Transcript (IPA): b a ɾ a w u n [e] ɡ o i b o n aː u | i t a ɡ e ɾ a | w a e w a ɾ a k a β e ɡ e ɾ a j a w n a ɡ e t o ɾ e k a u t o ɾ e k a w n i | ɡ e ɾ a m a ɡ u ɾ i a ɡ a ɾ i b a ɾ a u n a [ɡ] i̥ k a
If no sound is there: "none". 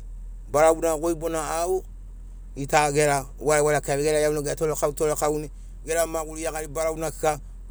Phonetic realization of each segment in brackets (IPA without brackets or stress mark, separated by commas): a, k